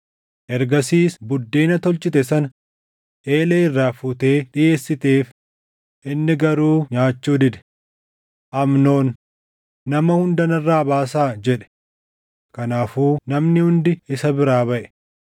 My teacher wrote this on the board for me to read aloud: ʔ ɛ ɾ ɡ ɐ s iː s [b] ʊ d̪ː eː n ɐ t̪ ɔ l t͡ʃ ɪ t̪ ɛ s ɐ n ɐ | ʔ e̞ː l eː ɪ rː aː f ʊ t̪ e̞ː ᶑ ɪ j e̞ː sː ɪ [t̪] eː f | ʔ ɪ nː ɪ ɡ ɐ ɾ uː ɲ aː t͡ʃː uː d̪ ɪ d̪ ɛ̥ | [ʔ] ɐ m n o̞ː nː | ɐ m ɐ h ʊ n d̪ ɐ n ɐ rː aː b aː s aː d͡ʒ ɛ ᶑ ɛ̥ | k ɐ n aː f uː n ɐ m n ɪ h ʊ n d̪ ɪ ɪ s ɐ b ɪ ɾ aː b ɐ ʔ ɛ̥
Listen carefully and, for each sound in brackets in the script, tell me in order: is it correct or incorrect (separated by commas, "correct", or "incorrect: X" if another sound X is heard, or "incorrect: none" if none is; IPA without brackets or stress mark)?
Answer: correct, correct, correct